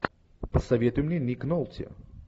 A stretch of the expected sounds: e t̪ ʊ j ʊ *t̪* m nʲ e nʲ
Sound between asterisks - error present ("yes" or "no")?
yes